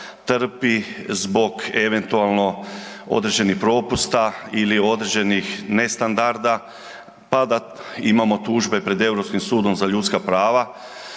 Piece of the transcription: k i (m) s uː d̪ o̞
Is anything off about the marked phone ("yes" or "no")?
no